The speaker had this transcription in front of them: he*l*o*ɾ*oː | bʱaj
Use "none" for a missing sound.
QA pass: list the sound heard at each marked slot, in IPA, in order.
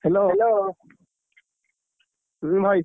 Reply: l, l

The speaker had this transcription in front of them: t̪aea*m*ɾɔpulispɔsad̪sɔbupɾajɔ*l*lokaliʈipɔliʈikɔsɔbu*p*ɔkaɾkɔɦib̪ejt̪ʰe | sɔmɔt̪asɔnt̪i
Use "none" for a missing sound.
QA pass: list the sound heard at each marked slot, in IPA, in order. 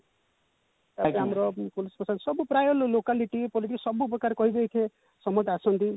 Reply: m, l, p

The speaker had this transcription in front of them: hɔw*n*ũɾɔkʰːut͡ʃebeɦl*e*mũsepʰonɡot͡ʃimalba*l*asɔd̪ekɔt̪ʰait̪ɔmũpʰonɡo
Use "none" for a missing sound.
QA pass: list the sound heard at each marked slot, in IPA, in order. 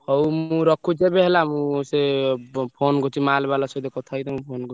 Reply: m, a, l

